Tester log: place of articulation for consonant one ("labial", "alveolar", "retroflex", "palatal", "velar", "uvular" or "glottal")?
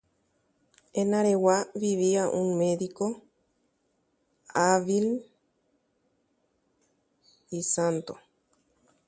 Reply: alveolar